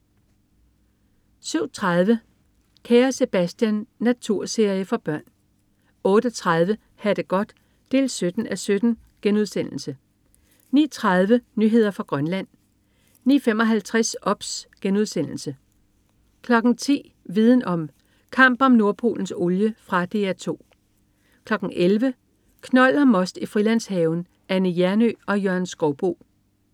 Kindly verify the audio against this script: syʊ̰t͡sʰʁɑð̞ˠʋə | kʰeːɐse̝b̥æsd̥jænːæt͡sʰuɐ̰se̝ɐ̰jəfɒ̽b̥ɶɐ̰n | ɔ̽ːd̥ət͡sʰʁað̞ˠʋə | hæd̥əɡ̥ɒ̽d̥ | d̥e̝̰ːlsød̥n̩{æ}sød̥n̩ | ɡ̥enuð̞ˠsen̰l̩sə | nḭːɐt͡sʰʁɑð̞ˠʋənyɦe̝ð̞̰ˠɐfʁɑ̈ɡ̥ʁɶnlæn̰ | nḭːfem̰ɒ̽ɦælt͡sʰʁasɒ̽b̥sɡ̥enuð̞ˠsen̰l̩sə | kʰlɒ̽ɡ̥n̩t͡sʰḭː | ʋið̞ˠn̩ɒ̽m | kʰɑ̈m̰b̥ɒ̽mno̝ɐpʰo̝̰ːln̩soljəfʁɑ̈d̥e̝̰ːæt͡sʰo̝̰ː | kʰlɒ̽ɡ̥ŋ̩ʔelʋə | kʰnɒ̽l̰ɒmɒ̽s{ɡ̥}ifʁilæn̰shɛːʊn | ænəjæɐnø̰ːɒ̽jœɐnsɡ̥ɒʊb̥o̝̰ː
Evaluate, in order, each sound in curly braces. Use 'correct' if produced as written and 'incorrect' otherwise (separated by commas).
correct, incorrect